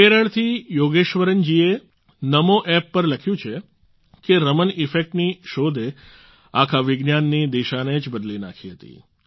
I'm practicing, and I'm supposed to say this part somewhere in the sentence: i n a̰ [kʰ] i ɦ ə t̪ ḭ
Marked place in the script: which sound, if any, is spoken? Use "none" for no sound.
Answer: kʰ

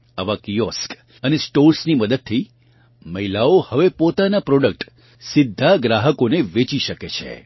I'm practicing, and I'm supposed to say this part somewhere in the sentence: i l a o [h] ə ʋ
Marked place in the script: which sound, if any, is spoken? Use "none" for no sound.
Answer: h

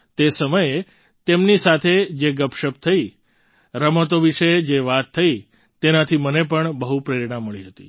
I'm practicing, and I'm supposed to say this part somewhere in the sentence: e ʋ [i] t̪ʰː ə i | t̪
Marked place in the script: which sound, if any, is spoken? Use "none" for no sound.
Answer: a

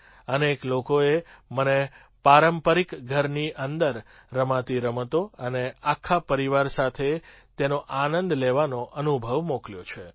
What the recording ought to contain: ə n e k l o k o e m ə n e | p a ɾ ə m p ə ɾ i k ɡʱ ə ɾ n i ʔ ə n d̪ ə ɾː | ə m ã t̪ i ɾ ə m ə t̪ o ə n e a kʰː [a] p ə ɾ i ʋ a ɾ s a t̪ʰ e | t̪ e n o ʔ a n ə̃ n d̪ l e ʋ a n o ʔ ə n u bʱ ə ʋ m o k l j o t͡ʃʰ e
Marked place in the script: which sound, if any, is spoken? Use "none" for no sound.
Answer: a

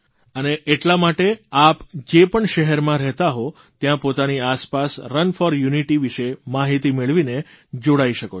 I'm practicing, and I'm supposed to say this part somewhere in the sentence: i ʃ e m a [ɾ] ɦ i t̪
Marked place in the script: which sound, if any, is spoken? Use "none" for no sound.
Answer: none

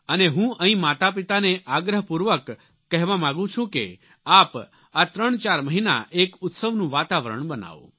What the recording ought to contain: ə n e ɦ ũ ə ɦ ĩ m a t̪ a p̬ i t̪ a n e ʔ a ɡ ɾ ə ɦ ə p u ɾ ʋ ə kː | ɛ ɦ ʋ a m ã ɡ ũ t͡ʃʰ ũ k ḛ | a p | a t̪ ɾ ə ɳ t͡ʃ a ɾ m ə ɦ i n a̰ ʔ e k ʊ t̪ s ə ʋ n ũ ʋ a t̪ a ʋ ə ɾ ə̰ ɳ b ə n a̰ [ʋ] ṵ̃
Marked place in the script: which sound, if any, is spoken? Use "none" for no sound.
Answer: ʋ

